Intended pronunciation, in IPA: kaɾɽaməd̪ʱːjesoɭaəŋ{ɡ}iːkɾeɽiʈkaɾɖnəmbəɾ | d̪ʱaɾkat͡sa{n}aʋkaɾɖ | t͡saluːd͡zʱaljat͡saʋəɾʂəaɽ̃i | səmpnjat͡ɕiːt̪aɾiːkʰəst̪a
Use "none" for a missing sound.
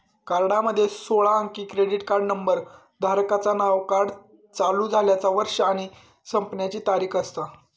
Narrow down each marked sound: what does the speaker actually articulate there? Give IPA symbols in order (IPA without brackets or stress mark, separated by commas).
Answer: k, n